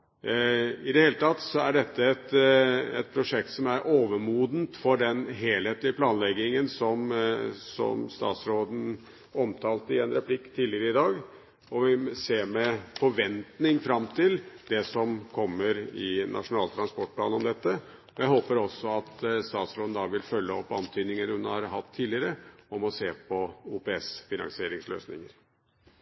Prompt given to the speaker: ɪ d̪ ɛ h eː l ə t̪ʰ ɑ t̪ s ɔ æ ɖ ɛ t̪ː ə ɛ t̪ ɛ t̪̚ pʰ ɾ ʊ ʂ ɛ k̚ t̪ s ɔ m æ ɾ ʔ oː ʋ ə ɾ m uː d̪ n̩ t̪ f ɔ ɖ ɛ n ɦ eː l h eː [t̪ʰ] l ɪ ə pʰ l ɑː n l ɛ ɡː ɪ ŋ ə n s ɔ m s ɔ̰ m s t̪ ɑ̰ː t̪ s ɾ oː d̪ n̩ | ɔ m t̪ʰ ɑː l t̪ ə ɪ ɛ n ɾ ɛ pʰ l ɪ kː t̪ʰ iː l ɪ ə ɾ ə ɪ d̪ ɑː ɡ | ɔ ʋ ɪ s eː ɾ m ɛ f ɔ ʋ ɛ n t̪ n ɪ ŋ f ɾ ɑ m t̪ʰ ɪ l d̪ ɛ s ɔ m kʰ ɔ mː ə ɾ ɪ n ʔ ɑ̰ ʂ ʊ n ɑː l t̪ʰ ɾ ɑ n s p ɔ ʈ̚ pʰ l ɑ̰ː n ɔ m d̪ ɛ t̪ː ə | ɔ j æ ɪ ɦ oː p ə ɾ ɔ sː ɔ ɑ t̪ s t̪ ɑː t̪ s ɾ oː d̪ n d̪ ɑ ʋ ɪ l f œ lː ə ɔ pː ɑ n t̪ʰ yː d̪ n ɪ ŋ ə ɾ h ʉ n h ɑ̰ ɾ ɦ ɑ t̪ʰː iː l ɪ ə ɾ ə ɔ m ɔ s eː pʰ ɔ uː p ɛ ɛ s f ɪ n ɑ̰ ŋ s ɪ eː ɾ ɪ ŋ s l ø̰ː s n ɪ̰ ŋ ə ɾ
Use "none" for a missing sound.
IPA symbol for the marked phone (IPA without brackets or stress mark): t̪